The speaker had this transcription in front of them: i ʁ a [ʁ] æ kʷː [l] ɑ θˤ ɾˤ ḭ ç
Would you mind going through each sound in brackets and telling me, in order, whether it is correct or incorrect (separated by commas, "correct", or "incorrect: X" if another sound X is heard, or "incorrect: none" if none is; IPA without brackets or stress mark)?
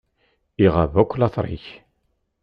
incorrect: v, correct